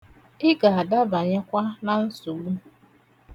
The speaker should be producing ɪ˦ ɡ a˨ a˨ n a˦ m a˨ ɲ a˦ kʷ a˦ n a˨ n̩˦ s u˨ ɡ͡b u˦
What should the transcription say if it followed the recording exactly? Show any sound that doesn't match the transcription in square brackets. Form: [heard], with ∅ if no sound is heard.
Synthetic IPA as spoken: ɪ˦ ɡ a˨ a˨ [d] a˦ [b] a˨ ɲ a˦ kʷ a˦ n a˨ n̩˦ s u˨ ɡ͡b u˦